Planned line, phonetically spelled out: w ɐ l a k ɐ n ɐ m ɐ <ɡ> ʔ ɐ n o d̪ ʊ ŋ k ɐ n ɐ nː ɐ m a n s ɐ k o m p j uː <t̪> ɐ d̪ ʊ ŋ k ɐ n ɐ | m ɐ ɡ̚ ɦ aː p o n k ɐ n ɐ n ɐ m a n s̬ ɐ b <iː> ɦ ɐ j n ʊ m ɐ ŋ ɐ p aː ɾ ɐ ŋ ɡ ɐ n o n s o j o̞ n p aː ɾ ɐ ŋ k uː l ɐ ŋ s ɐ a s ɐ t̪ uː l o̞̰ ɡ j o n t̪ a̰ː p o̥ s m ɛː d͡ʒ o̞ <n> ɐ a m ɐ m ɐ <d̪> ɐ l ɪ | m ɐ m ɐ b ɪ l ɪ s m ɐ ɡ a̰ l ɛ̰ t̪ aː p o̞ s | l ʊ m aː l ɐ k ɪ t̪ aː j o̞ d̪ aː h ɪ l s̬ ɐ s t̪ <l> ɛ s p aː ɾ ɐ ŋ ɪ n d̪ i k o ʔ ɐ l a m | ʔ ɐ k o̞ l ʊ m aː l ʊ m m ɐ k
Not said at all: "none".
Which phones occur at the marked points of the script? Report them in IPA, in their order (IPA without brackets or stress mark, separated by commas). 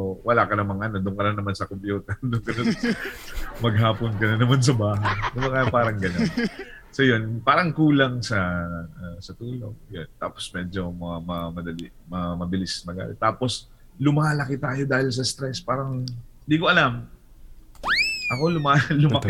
ŋ, t̪, aː, m, d̪, ɾ